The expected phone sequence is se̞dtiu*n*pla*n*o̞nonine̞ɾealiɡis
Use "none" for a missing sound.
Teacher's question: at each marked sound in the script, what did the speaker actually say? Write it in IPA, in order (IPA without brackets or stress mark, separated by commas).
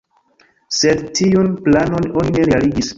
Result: n, n